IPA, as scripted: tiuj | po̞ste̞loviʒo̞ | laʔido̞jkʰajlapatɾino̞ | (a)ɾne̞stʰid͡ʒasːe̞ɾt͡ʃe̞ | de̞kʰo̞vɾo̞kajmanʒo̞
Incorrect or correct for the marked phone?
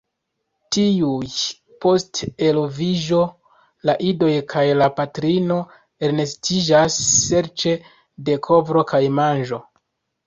incorrect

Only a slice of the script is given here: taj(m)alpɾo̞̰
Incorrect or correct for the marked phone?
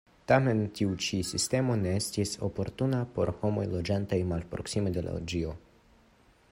correct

